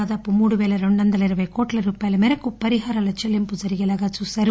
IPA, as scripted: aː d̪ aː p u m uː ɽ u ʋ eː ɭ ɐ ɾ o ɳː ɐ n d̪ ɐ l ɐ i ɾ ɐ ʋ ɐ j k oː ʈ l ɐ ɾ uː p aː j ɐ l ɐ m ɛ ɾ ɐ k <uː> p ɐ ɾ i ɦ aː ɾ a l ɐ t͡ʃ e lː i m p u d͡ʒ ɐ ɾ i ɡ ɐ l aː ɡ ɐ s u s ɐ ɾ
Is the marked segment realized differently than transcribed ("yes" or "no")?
yes